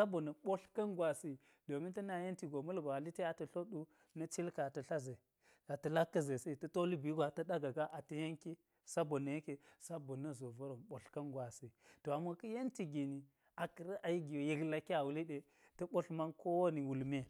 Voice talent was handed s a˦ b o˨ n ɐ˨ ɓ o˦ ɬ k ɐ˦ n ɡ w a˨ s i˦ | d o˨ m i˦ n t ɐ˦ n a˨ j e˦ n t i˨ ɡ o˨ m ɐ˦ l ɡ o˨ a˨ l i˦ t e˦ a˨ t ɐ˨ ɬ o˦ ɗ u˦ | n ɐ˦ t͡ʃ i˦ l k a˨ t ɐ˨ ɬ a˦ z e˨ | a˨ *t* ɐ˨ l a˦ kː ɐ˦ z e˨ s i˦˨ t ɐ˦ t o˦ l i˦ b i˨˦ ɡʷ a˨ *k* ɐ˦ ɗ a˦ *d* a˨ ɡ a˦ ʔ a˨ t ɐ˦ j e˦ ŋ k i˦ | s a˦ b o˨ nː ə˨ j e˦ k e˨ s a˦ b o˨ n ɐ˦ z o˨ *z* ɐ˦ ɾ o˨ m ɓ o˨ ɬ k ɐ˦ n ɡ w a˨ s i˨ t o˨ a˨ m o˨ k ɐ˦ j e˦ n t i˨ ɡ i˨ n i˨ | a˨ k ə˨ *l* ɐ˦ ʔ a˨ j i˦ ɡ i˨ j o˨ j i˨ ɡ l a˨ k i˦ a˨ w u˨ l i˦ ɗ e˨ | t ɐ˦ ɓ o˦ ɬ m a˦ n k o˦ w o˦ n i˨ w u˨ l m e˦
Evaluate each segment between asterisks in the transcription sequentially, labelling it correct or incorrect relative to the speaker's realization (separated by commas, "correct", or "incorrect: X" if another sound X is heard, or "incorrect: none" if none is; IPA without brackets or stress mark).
correct, incorrect: t, incorrect: ɡ, incorrect: v, incorrect: ɾ